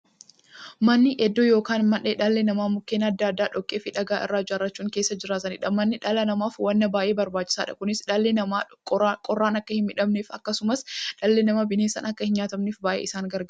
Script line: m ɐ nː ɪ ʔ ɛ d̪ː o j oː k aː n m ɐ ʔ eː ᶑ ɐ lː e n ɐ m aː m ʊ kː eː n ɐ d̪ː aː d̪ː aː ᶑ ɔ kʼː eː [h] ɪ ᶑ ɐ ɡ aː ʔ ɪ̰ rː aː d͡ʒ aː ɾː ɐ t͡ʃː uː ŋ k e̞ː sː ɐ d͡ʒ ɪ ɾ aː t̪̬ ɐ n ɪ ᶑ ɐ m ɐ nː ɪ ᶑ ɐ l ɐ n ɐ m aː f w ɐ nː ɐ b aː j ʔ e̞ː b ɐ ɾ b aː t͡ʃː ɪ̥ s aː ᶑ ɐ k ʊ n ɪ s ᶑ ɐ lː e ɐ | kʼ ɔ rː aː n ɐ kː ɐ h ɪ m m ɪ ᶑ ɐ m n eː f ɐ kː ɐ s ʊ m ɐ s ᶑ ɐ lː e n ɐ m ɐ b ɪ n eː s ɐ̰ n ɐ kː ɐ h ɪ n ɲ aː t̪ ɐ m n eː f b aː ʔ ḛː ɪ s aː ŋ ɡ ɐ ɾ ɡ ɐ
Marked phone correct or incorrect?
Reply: incorrect